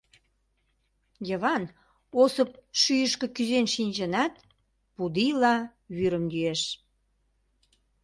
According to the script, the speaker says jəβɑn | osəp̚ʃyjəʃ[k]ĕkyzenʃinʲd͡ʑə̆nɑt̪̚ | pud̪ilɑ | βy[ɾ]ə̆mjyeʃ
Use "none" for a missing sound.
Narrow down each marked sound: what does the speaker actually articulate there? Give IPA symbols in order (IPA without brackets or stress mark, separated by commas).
k, ɾ